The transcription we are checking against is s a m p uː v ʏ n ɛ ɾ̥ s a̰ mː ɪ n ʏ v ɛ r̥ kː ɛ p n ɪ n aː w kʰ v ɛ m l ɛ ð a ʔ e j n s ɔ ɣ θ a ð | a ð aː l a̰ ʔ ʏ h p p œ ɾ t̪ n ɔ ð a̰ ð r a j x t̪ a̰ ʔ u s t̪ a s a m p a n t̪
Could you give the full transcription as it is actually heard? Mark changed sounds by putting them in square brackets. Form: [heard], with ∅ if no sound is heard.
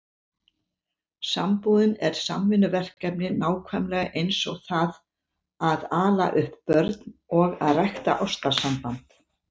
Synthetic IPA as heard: s a m p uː [ð] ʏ n ɛ ɾ̥ s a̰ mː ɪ n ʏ v ɛ r̥ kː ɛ p n ɪ n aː w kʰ v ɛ m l ɛ [ɣ] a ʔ e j n s ɔ ɣ θ a ð | a ð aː l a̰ ʔ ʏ h p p œ ɾ t̪ n ɔ [ɣ] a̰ ð r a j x t̪ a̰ ʔ [ɔ] s t̪ a s a m p a n t̪